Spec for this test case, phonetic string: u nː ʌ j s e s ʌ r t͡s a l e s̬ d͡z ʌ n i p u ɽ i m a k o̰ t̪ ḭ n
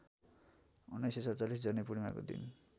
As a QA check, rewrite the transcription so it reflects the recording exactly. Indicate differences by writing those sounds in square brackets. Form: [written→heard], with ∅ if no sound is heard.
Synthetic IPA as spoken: u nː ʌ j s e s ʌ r t͡s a l [e→i] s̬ d͡z ʌ n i p u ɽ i m a k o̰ [t̪→d̪] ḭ n